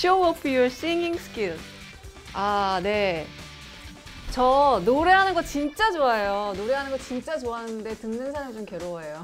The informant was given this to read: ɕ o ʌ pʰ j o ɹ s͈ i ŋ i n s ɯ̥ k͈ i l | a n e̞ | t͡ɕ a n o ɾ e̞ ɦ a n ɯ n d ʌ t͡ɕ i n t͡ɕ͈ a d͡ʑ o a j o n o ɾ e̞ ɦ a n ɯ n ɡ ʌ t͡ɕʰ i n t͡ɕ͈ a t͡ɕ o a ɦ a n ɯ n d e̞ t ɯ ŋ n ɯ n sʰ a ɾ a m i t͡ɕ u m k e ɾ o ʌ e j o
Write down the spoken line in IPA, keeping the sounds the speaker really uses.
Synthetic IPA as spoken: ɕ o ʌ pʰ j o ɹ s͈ i ŋ i ŋ s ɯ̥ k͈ i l | a n e̞ | t͡ɕ ʌ n o ɾ e̞ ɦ a n ɯ n ɡ ʌ t͡ɕ i n t͡ɕ͈ a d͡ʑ o a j o n o ɾ e̞ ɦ a n ɯ n ɡ ʌ t͡ɕ i n t͡ɕ͈ a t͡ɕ o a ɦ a n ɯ n d e̞ t ɯ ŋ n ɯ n sʰ a ɾ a m i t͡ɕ o m k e ɾ o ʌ e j o